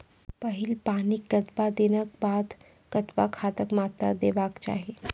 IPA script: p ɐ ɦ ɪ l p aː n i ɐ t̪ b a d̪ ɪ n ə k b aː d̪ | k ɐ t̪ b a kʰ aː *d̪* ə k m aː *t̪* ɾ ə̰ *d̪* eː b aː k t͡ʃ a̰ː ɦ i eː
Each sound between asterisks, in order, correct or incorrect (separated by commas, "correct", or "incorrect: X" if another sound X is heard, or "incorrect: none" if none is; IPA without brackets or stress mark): incorrect: t̪, correct, correct